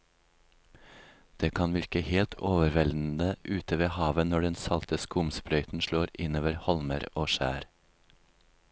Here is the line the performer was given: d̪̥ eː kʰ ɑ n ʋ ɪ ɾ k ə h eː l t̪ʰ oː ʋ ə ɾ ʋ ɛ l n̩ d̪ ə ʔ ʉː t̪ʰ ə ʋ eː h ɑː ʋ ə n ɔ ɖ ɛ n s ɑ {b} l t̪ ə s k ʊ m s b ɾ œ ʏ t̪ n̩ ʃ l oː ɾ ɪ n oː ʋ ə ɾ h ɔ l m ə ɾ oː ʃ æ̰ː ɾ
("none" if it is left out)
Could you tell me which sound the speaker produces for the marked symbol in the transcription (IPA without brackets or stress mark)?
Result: none